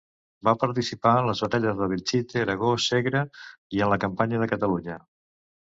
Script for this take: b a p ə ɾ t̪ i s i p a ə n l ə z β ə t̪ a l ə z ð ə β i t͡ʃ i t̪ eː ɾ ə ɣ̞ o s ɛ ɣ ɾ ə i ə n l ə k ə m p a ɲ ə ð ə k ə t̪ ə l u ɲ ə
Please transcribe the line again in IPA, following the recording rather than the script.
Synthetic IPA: b a p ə ɾ t̪ i s i p a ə n l ə z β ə t̪ a ʎ ə z ð ə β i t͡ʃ i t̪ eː ɾ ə ɣ̞ o s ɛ ɣ ɾ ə i ə n l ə k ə m p a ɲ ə ð ə k ə t̪ ə l u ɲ ə